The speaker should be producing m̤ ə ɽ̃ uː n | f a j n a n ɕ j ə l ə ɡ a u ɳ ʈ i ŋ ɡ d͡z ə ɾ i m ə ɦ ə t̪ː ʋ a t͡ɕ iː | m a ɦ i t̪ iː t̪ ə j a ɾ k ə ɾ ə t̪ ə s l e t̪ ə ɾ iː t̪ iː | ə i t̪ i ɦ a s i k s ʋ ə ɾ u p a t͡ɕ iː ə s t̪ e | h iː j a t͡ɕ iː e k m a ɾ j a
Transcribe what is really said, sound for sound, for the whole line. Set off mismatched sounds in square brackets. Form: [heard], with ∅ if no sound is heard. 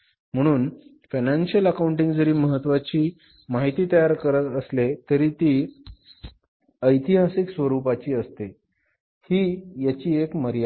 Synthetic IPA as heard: m̤ ə ɽ̃ uː n | f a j n a n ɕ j ə l ə [k] a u ɳ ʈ i ŋ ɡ d͡z ə ɾ [iː] m ə ɦ ə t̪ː ʋ a t͡ɕ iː | m a ɦ i t̪ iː t̪ ə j a ɾ k ə ɾ ə t̪ ə s l e t̪ ə ɾ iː t̪ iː | ə [j] t̪ i ɦ a s i k s ʋ ə ɾ u p a t͡ɕ iː ə s t̪ e | h iː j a t͡ɕ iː e k m [ə] ɾ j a